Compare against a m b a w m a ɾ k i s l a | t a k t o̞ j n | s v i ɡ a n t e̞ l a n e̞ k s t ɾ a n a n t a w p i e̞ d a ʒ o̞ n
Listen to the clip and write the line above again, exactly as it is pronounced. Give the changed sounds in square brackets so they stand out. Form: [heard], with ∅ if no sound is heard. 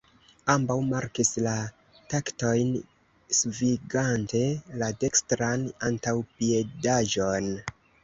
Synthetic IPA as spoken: a m b a w m a ɾ k i s l a | t a k t o̞ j n | s v i ɡ a n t e̞ l a [d] e̞ k s t ɾ a n a n t a w p i e̞ d a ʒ o̞ n